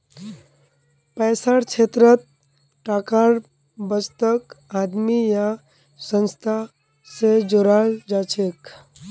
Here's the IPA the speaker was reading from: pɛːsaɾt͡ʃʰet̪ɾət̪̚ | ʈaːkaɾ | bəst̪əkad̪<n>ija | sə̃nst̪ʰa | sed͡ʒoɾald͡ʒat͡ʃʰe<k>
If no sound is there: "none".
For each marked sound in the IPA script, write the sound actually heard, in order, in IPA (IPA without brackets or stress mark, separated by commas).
m, k